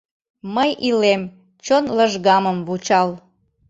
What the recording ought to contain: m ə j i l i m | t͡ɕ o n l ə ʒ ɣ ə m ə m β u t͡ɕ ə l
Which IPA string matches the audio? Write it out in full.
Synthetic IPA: m ə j i l e m | t͡ɕ o n l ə ʒ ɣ ɑ m ə m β u t͡ɕ ɑ l

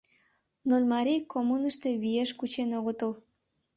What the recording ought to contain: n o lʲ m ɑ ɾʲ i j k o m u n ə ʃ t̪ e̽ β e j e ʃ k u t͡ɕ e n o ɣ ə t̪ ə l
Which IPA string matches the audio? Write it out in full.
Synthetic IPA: n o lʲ m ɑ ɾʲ i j k o m u n ə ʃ t̪ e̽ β i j e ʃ k u t͡ɕ e n o ɣ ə t̪ ə l

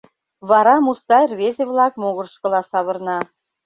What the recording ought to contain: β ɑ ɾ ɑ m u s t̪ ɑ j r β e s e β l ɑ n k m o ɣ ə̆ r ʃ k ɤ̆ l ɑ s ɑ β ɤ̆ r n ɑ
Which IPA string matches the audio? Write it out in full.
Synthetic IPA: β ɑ ɾ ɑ m u s t̪ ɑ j r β e z e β l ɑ k m o ɣ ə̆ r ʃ k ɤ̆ l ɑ s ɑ β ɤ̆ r n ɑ

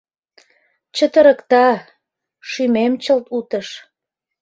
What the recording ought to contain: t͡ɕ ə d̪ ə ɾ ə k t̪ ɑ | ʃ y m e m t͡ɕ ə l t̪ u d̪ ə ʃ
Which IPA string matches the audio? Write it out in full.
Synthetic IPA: t͡ɕ ə t̪ ə ɾ ə k t̪ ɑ | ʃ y m e m t͡ɕ ə l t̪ u t̪ ə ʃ

